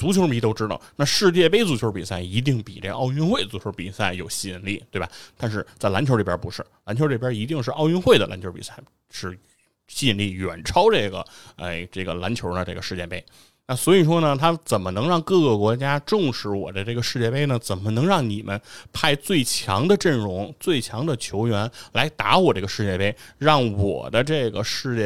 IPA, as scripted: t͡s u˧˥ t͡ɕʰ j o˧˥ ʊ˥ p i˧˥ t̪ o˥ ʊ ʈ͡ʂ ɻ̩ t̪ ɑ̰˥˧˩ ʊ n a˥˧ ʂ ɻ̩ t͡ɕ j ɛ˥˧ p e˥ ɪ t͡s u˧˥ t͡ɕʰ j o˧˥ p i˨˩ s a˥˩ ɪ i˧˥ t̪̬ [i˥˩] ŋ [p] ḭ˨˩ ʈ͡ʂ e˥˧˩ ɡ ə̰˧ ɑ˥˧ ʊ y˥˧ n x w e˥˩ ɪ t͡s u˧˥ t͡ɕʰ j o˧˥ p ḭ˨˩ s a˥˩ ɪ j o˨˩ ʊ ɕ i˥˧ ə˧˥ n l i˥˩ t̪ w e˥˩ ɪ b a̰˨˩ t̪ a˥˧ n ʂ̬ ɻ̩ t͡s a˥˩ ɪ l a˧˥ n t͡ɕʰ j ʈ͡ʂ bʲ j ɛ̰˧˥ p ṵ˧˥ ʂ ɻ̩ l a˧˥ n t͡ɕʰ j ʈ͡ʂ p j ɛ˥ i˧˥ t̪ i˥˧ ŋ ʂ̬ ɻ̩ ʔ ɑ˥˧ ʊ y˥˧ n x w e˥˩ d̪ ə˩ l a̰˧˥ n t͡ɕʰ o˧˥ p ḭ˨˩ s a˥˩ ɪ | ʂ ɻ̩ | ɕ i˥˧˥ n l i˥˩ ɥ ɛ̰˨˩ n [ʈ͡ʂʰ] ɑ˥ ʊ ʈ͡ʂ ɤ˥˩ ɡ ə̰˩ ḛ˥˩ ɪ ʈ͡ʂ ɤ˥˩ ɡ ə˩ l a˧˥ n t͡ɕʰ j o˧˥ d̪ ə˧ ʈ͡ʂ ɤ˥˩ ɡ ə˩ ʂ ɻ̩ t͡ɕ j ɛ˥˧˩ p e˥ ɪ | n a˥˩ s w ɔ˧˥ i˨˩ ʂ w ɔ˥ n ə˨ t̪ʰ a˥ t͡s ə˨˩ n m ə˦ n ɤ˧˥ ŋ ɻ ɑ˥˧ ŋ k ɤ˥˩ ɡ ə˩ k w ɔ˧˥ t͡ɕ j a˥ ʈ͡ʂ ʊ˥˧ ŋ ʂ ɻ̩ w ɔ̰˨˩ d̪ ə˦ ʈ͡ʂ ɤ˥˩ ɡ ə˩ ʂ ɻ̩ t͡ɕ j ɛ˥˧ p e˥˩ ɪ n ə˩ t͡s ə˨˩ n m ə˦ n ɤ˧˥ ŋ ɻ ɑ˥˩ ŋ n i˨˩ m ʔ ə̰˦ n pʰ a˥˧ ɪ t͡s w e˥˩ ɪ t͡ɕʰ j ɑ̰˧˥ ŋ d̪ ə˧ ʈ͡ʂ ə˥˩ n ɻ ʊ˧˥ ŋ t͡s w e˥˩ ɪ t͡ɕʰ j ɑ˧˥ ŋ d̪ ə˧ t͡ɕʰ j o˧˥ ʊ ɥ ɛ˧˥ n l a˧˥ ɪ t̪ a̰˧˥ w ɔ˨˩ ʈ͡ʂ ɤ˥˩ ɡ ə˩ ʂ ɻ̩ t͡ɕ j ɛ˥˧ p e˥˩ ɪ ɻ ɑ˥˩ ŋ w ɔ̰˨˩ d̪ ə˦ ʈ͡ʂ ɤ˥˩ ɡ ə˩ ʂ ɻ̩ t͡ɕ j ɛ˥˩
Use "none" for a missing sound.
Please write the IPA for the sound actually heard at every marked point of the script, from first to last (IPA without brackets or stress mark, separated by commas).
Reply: i˥˩, p, ʈ͡ʂʰ